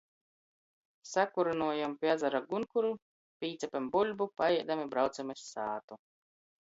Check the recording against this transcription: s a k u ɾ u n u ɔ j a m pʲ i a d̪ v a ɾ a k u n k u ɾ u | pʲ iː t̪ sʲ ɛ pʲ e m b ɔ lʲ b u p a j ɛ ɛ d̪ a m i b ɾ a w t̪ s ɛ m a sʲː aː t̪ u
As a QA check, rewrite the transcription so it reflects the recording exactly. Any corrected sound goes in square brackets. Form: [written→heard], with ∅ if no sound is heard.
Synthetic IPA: s a k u ɾ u n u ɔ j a m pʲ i a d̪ [v→z] a ɾ a [k→ɡ] u n k u ɾ u | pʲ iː t̪ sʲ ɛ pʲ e m b [ɔ→u] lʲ b u p a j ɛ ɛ d̪ a m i b ɾ a w t̪ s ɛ m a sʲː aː t̪ u

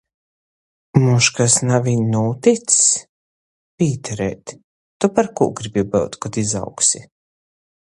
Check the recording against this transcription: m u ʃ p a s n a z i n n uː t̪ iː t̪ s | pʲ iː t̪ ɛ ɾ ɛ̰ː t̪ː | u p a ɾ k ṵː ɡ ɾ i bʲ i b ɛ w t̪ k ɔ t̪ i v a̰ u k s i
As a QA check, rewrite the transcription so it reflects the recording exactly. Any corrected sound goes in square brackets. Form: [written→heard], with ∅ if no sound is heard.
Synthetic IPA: m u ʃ [p→k] a s n a [z→v] i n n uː t̪ [iː→i] t̪ s | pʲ iː t̪ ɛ ɾ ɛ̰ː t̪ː | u p a ɾ k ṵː ɡ ɾ i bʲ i b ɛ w t̪ k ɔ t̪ i [v→z] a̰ [u→w] k s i

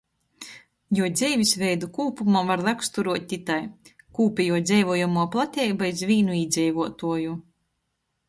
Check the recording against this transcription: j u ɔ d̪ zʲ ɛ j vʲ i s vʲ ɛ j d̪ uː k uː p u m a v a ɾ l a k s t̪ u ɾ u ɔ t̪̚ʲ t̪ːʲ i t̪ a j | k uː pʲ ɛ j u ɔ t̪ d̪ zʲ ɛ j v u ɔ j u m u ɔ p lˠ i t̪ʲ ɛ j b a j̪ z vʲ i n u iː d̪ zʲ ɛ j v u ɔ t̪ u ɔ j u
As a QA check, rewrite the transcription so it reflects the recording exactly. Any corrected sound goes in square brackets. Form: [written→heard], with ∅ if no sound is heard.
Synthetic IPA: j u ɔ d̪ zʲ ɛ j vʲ i s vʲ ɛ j d̪ [uː→u] k uː p u m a v a ɾ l a k s t̪ u ɾ u ɔ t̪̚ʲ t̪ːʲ i t̪ a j | k uː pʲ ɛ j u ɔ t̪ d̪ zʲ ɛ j v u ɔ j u m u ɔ p lˠ [i→a] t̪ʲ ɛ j b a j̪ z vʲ [i→iː] n u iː d̪ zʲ ɛ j v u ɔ t̪ u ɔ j u

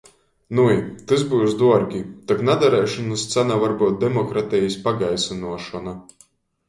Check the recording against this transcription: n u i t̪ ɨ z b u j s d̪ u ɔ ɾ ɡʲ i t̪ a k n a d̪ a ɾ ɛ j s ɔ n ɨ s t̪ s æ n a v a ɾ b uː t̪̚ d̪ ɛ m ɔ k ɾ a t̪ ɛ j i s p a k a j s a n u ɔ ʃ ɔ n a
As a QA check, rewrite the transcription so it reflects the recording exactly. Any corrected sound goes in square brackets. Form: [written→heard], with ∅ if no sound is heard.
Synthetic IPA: n u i t̪ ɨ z b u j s d̪ u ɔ ɾ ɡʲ i t̪ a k n a d̪ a ɾ ɛ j [s→ʃ] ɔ n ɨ s t̪ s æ n a v a ɾ b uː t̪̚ d̪ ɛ m ɔ k ɾ a t̪ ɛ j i s p a [k→ɡ] a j s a n u ɔ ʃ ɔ n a

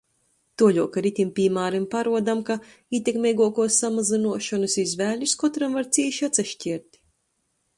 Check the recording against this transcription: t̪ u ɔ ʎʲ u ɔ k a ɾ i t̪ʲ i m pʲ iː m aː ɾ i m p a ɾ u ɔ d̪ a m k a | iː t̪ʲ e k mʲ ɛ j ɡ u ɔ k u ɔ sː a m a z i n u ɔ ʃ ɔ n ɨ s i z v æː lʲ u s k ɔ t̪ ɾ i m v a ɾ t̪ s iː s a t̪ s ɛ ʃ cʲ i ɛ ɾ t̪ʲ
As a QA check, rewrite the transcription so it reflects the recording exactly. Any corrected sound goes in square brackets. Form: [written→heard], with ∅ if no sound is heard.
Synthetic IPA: t̪ u ɔ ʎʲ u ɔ k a ɾ i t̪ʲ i m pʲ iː m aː ɾ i m p a ɾ u ɔ d̪ a m k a | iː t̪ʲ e k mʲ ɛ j ɡ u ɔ k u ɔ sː a m a z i n u ɔ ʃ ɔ n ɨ s i z v æː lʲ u s k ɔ t̪ ɾ [i→a] m v a ɾ t̪ s iː [s→ʃ] a t̪ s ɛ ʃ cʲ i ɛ ɾ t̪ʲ

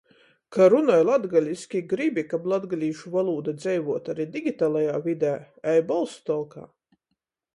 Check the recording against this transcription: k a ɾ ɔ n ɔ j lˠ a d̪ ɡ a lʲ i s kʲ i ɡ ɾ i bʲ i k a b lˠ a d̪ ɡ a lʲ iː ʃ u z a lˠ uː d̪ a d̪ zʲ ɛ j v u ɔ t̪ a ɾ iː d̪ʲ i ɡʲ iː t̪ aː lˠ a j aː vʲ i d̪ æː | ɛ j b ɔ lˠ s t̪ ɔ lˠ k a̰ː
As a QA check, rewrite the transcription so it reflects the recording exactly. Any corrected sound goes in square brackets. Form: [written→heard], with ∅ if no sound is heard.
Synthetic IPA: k a ɾ [ɔ→u] n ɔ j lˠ a d̪ ɡ a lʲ i s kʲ i ɡ ɾ i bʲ i k a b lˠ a d̪ ɡ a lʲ iː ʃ u [z→v] a lˠ uː d̪ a d̪ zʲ ɛ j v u ɔ t̪ a ɾ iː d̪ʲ i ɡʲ [iː→i] t̪ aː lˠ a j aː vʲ i d̪ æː | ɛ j b ɔ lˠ s t̪ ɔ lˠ k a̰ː

